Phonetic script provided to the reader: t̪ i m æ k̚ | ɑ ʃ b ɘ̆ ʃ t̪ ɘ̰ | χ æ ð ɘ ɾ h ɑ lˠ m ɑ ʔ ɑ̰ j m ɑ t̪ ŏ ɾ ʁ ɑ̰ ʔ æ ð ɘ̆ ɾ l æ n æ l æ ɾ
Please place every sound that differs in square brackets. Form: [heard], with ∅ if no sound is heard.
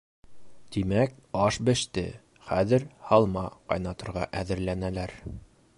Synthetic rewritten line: t̪ i m æ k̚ | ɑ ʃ b ɘ̆ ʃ t̪ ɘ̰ | χ æ ð ɘ ɾ h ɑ lˠ m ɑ [q] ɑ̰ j [n] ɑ t̪ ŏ ɾ ʁ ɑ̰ ʔ æ ð ɘ̆ ɾ l æ n æ l æ ɾ

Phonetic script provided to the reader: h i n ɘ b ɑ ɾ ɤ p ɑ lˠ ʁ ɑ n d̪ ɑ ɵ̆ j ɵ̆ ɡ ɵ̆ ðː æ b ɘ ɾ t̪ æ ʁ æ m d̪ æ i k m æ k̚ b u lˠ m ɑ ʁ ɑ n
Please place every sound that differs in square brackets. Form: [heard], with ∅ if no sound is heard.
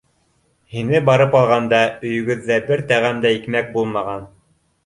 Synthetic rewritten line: h i n ɘ b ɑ ɾ ɤ p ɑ lˠ ʁ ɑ n d̪ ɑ ɵ̆ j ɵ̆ ɡ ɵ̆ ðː æ b ɘ ɾ t̪ æ ʁ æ m d̪ æ i k m æ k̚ b u lˠ m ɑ ʁ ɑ n

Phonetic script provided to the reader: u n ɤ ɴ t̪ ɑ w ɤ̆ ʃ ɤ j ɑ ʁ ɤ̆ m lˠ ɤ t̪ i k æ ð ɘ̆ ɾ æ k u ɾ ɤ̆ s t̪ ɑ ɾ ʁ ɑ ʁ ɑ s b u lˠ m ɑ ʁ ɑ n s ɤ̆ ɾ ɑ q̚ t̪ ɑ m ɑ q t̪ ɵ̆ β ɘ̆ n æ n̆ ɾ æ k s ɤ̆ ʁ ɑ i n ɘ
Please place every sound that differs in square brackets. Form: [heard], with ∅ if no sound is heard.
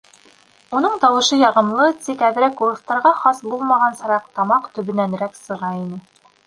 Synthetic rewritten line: u n ɤ ɴ t̪ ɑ w ɤ̆ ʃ ɤ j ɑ ʁ ɤ̆ m lˠ ɤ t̪ i k æ ð ɘ̆ ɾ æ k u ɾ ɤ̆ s t̪ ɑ ɾ ʁ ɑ [χ] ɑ s b u lˠ m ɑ ʁ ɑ n s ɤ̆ ɾ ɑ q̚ t̪ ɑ m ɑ q t̪ ɵ̆ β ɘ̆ n æ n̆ ɾ æ k s ɤ̆ ʁ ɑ i n ɘ

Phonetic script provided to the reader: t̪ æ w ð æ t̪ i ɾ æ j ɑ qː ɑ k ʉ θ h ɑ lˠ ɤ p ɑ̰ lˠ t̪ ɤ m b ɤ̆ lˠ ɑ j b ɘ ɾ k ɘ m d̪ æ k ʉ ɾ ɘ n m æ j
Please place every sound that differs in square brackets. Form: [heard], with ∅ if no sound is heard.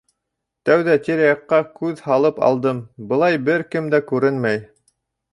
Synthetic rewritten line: t̪ æ w ð æ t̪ i ɾ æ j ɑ qː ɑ k ʉ [ð] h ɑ lˠ ɤ p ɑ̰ lˠ [d̪] ɤ m b ɤ̆ lˠ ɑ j b ɘ ɾ k ɘ m d̪ æ k ʉ ɾ ɘ n m æ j

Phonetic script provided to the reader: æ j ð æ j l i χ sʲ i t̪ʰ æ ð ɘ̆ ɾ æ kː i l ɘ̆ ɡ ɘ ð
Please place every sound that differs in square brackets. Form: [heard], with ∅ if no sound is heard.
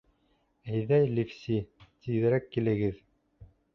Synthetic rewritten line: æ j ð æ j l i [f] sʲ i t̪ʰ [i] ð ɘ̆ ɾ æ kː i l ɘ̆ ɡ ɘ ð

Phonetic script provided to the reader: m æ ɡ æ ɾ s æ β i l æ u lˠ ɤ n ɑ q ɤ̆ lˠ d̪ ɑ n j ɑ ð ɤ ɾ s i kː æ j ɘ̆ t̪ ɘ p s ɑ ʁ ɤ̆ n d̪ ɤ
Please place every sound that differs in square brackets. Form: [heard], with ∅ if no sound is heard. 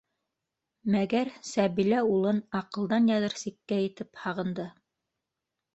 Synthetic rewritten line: m æ ɡ æ ɾ s æ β i l æ u lˠ ɤ n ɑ q ɤ̆ lˠ d̪ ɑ n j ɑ ð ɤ ɾ s i kː æ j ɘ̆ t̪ ɘ p [h] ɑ ʁ ɤ̆ n d̪ ɤ

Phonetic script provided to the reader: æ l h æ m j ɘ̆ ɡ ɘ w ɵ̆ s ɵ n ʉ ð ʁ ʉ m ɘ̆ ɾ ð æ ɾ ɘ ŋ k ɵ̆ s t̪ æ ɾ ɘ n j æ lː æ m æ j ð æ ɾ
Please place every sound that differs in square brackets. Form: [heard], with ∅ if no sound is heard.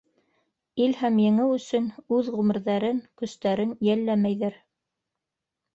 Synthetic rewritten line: [i] l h æ m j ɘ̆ [ŋ] ɘ w ɵ̆ s ɵ n ʉ ð ʁ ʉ m ɘ̆ ɾ ð æ ɾ ɘ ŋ k ɵ̆ s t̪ æ ɾ ɘ n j æ lː æ m æ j ð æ ɾ

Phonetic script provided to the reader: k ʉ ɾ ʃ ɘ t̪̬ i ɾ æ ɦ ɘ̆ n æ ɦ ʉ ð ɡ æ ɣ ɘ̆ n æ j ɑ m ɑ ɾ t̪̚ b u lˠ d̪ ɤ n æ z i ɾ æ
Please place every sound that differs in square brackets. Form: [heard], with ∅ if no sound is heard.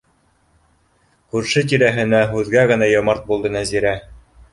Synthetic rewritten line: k ʉ ɾ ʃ ɘ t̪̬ i ɾ æ ɦ ɘ̆ n æ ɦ ʉ ð ɡ æ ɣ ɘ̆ n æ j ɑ m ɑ ɾ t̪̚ b u lˠ d̪ ɤ n æ z i ɾ æ

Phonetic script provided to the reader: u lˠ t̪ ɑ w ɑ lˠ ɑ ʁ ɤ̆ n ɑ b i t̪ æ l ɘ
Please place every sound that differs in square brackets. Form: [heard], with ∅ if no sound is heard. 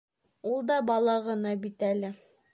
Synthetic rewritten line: u lˠ [d̪] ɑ [b] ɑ lˠ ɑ ʁ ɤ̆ n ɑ b i t̪ æ l ɘ

